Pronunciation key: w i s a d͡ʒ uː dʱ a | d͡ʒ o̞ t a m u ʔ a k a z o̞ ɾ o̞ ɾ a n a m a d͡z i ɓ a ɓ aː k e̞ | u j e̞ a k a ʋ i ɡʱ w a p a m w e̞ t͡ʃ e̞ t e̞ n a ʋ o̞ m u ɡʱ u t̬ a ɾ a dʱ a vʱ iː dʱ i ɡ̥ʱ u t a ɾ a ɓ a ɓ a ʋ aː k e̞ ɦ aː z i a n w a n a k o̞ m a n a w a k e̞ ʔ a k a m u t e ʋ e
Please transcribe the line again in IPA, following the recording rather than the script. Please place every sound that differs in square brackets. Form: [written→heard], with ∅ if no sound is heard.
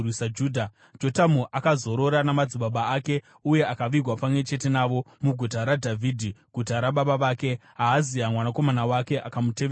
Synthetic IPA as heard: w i s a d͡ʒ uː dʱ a | d͡ʒ o̞ t a m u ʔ a k a z o̞ ɾ o̞ ɾ a n a m a d͡z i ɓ a ɓ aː k e̞ | u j e̞ a k a ʋ i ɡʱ w a p a m w e̞ t͡ʃ e̞ t e̞ n a ʋ o̞ m u ɡʱ u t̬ a ɾ a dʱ a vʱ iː dʱ i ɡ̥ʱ u t a ɾ a ɓ a ɓ a ʋ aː k e̞ ɦ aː z i a [n→m] w a n a k o̞ m a n a w a k e̞ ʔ a k a m u t e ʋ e